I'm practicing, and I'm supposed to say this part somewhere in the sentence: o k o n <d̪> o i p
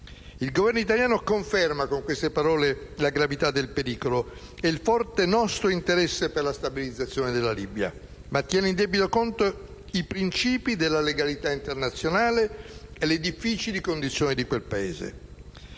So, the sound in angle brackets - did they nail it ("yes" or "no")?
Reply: no